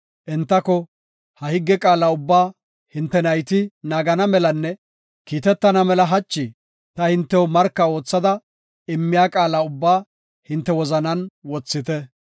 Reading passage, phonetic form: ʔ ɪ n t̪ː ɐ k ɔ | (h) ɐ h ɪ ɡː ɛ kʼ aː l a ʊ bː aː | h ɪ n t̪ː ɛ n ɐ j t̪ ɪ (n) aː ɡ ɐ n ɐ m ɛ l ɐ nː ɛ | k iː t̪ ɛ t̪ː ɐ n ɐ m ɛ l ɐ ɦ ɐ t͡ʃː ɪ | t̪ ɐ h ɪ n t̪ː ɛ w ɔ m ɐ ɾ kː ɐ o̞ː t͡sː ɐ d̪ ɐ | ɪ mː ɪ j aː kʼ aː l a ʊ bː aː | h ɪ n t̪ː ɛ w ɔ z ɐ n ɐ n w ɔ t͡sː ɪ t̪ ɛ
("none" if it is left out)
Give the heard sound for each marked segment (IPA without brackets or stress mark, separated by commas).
h, n